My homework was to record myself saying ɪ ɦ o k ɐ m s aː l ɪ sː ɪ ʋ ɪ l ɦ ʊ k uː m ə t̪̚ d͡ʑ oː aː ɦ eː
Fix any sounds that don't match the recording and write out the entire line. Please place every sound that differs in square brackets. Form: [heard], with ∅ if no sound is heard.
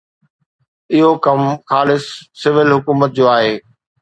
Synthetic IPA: ɪ ɦ o k ɐ m [x] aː l ɪ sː ɪ ʋ ɪ l ɦ ʊ k uː m ə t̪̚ d͡ʑ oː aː ɦ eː